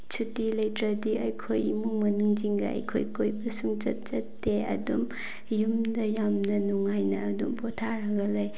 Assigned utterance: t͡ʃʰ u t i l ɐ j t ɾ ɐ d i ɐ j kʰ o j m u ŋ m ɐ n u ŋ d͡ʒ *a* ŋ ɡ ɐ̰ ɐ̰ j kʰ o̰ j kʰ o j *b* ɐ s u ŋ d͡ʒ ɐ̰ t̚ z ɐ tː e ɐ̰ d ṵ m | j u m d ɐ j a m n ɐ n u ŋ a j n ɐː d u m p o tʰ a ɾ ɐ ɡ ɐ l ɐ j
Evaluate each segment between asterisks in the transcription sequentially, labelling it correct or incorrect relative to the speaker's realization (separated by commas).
incorrect, correct